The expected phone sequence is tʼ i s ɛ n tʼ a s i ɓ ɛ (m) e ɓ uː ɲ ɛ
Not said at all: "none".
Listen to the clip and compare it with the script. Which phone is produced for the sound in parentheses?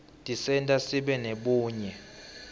n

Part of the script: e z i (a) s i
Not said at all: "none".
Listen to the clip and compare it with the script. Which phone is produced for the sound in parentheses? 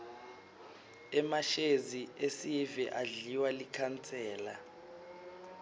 e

